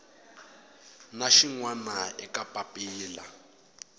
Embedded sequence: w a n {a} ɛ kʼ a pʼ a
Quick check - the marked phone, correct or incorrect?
correct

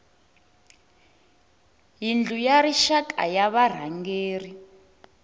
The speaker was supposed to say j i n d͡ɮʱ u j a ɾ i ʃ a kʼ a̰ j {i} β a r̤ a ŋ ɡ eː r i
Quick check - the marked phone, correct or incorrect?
incorrect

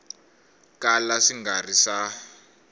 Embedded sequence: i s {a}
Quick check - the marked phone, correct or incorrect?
correct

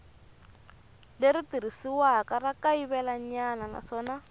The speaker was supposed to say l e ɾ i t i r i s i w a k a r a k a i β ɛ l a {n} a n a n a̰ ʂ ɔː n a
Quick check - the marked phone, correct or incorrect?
incorrect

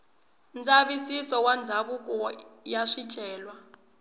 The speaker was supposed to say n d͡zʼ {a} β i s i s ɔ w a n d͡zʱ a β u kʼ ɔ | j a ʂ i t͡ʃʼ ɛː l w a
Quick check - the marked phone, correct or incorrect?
correct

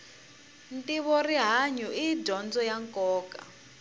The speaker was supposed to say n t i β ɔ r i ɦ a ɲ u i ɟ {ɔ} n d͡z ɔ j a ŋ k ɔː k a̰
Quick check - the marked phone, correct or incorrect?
correct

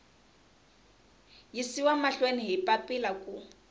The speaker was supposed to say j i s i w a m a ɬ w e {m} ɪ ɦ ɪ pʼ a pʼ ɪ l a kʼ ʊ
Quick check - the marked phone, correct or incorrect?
incorrect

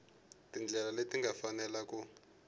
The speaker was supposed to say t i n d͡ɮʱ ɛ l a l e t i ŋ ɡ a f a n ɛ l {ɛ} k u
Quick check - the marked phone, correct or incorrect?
incorrect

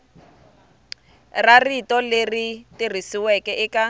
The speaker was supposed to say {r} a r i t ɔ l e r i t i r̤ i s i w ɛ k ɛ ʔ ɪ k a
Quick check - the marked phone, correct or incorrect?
correct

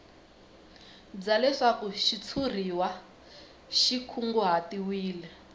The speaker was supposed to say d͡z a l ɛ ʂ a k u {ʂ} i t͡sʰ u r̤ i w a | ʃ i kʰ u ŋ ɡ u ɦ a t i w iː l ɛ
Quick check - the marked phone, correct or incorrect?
incorrect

